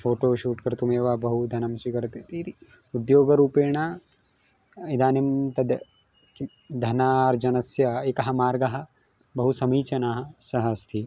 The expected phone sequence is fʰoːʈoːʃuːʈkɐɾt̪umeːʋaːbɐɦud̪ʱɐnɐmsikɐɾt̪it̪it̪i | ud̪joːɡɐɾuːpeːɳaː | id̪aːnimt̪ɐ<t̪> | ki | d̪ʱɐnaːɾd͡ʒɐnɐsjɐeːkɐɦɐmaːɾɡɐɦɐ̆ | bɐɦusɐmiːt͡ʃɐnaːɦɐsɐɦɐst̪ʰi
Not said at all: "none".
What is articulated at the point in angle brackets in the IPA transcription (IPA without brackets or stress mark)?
d̪